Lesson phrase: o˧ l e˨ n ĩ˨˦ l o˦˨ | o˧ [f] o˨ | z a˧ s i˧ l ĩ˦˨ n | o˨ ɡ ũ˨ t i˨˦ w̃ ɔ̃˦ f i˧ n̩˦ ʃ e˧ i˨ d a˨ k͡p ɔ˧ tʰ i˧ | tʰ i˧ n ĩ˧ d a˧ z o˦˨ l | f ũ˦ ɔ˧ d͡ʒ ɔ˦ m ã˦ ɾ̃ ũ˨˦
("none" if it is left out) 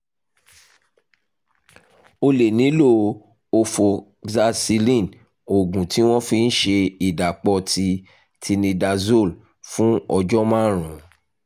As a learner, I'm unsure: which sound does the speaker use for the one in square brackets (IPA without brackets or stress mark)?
f